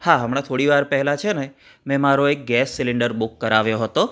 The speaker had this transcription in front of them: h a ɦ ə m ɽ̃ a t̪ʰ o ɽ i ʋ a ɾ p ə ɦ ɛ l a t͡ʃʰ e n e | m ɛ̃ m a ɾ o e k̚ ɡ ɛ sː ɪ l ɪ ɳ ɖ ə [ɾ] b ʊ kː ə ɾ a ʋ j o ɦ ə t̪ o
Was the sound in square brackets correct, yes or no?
yes